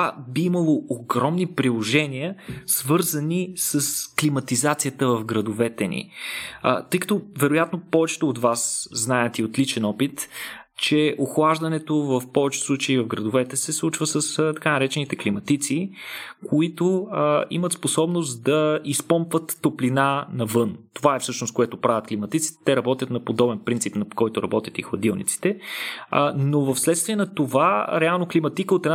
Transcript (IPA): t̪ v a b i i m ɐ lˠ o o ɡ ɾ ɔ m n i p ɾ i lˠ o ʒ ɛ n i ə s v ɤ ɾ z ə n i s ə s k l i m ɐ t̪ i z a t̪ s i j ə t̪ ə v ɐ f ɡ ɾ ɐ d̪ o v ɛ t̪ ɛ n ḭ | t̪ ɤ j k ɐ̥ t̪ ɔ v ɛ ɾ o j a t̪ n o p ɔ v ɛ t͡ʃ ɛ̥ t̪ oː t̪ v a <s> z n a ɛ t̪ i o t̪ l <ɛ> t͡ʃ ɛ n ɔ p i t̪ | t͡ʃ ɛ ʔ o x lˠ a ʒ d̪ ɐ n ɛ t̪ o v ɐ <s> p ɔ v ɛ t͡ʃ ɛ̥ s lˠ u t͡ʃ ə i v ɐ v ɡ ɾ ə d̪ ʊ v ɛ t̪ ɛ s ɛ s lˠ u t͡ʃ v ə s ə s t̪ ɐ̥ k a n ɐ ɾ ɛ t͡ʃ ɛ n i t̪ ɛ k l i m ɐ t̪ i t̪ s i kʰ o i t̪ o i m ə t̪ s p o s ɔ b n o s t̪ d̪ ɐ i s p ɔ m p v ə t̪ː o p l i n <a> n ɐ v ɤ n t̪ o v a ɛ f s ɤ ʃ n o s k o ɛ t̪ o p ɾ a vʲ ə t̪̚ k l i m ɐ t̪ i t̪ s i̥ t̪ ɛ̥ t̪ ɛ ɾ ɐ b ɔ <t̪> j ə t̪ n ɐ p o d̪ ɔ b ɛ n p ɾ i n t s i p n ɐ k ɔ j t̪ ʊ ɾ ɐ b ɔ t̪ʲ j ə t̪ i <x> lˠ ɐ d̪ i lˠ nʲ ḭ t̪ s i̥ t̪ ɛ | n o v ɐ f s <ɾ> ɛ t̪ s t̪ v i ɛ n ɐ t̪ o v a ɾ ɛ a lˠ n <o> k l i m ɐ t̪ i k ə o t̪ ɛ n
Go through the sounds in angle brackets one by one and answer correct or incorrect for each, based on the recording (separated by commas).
correct, incorrect, incorrect, correct, correct, correct, incorrect, correct